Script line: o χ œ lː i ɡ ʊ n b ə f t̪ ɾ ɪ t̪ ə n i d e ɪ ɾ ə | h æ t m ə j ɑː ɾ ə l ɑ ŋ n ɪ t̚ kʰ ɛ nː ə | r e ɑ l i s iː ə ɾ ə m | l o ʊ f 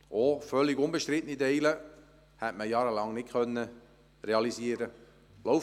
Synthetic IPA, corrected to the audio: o f œ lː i ɡ ʊ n b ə ʃ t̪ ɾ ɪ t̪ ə n i d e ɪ l ə | h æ t m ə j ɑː ɾ ə l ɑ ŋ n ɪ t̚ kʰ œ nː ə | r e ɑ l i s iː ə ɾ ə | l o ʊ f